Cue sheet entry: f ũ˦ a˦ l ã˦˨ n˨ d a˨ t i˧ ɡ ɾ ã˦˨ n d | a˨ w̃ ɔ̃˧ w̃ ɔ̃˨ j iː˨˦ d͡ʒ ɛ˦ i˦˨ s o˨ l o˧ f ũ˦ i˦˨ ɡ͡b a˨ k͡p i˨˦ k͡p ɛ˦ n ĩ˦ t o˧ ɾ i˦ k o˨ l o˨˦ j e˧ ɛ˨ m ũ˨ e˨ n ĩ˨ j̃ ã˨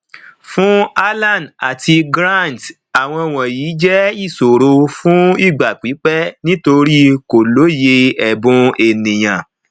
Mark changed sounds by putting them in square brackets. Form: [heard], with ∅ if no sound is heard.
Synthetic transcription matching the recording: f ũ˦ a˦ l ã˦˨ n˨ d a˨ t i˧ ɡ ɾ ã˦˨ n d | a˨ w̃ ɔ̃˧ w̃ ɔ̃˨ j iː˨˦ d͡ʒ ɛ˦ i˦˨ s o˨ [ɾ] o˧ f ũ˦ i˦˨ ɡ͡b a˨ k͡p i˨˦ k͡p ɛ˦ n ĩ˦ t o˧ ɾ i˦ k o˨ l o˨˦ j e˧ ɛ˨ [b] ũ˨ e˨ n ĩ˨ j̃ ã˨